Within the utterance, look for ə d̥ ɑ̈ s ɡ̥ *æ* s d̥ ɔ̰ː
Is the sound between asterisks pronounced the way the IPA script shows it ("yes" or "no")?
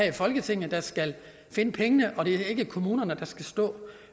yes